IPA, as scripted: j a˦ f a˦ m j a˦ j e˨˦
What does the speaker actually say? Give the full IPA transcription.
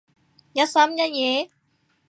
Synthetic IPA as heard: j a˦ s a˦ m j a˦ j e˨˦